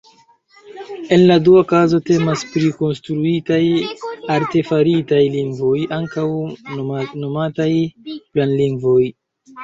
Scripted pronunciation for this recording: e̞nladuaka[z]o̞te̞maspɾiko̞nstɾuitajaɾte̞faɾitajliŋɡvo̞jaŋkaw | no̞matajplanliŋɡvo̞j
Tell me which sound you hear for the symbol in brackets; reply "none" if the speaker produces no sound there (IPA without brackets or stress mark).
z